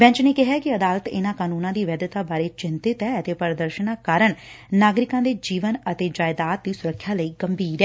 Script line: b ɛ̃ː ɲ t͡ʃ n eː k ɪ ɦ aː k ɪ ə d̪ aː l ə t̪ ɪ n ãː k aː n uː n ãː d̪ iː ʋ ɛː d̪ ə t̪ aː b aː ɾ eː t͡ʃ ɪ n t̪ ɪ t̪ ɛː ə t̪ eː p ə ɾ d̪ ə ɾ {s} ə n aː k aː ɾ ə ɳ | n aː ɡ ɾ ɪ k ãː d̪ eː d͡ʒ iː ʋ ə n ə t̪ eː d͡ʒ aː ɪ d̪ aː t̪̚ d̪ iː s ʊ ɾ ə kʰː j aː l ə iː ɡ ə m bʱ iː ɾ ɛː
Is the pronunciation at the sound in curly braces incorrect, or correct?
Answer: incorrect: ʃ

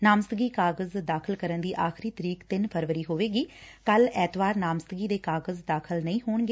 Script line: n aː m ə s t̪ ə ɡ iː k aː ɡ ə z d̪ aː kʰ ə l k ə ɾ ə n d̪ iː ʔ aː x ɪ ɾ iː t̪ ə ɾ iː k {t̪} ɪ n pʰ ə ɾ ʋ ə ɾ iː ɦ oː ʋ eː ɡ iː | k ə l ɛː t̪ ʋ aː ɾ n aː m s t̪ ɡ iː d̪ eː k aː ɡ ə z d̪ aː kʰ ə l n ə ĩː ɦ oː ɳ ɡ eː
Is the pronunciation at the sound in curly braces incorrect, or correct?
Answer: correct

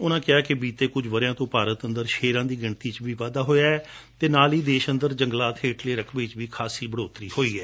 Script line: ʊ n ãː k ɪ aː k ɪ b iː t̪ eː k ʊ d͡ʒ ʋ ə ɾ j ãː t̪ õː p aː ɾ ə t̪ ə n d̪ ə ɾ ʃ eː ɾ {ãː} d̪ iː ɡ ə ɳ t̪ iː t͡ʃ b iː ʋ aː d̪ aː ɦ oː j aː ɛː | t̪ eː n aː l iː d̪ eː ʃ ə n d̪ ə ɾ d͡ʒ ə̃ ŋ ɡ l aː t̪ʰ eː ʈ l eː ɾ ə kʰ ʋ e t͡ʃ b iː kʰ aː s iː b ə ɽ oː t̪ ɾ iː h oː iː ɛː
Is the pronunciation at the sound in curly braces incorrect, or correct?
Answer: correct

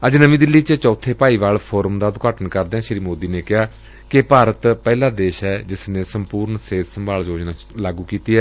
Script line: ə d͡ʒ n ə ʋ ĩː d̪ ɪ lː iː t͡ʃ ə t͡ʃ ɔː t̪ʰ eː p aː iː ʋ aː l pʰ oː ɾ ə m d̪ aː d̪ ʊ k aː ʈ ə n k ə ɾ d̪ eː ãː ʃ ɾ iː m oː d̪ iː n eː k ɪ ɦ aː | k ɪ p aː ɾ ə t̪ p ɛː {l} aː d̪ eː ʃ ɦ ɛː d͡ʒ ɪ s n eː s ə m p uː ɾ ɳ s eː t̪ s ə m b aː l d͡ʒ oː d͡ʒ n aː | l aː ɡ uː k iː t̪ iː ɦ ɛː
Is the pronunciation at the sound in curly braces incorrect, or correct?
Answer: correct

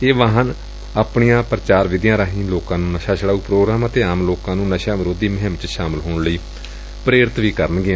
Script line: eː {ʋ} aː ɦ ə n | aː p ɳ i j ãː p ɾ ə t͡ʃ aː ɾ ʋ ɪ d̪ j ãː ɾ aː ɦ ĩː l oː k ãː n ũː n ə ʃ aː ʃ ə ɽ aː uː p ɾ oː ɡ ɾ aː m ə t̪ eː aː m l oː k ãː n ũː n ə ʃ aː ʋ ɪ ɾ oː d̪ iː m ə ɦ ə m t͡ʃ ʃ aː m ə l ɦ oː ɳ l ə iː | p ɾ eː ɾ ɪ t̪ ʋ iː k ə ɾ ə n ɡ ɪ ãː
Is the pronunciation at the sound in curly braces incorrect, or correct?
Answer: correct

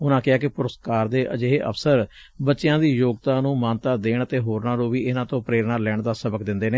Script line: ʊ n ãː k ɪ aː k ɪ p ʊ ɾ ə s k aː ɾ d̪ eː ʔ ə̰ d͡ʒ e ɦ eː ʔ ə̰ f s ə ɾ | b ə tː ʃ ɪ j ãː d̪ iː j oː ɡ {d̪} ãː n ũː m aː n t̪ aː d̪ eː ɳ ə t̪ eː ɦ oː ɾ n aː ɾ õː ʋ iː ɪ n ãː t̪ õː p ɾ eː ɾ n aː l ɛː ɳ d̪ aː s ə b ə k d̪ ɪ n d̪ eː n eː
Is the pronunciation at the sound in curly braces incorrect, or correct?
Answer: incorrect: t̪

